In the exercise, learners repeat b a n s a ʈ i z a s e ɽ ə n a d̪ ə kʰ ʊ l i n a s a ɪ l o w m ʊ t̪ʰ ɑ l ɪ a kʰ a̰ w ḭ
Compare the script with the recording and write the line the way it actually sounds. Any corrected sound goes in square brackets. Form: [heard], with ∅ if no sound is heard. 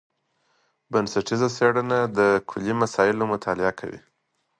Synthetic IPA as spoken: b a n s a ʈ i z a s e ɽ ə n a d̪ ə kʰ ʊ l i [m] a s [ɑ] ɪ l o [∅] m ʊ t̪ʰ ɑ l ɪ a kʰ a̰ w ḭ